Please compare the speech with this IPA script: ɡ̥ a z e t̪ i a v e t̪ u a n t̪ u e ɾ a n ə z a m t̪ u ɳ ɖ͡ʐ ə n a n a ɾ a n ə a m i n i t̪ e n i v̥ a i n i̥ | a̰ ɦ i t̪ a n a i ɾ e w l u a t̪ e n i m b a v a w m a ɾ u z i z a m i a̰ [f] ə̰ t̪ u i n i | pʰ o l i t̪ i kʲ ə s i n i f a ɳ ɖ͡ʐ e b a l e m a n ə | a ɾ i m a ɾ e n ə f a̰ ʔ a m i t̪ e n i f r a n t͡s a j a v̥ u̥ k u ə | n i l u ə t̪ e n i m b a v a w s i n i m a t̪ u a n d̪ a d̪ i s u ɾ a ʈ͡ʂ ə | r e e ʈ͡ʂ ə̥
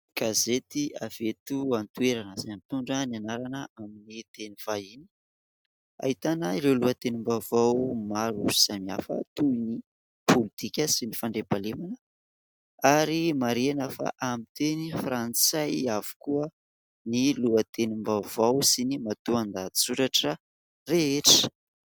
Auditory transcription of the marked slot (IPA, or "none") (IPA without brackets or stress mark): f